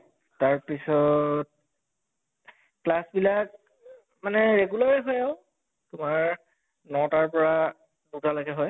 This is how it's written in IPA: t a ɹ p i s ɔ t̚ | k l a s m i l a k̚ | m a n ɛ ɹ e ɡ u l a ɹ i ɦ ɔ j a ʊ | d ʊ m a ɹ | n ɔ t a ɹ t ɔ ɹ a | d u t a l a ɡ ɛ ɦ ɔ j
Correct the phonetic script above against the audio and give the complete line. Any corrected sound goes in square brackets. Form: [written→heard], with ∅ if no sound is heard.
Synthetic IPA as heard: t a ɹ p i s ɔ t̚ | k l a s [m→b] i l a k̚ | m a n ɛ ɹ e ɡ u l a ɹ i ɦ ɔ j a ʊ | [d→t] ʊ m a ɹ | n ɔ t a ɹ [t→p] ɔ ɹ a | d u t a l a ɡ ɛ ɦ ɔ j